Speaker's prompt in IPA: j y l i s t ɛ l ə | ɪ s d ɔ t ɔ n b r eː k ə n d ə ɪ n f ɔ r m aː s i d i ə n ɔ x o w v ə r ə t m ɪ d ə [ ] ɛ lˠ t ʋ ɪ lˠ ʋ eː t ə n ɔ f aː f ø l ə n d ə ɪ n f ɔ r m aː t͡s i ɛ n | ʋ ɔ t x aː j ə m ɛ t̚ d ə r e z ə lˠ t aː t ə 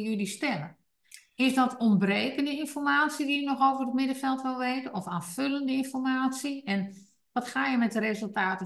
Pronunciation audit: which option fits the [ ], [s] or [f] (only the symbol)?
f